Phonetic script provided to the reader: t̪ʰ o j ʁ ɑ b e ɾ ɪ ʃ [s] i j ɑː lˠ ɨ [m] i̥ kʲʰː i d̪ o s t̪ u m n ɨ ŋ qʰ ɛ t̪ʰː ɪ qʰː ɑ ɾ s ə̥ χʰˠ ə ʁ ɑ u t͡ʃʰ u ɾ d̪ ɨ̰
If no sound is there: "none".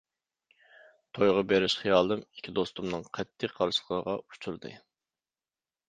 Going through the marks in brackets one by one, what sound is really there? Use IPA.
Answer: χ, m

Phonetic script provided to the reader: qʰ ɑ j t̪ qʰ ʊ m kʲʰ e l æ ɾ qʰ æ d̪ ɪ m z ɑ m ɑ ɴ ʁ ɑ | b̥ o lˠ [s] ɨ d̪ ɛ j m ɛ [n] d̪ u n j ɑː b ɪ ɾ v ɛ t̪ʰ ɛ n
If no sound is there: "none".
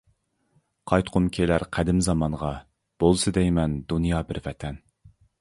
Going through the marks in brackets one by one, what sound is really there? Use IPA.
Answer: s, n

